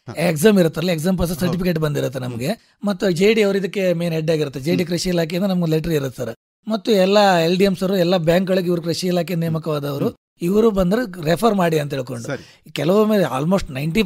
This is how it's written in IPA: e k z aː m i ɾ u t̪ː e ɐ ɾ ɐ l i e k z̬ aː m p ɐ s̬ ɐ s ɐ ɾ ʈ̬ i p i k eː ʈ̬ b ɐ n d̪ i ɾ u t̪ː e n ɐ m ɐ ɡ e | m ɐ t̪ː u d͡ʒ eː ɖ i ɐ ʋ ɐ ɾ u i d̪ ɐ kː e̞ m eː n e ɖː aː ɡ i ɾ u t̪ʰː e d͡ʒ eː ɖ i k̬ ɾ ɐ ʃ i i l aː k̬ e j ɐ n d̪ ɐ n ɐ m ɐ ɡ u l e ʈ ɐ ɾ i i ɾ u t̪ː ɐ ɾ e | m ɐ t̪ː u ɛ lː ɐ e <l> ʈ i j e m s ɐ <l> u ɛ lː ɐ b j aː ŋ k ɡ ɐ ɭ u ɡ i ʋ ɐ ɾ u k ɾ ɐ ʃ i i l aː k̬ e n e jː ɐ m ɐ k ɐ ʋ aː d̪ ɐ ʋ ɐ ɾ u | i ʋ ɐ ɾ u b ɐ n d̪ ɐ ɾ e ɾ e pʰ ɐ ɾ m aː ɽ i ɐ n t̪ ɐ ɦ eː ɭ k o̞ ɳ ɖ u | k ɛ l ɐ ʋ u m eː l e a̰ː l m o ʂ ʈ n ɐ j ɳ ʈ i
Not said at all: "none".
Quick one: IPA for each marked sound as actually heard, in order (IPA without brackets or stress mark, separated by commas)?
l, ɾ